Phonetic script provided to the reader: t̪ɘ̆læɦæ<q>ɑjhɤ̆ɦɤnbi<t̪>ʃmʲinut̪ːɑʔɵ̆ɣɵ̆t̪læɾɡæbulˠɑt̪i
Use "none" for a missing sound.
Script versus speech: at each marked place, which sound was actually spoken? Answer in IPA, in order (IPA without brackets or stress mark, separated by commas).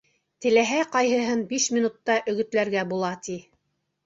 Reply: q, none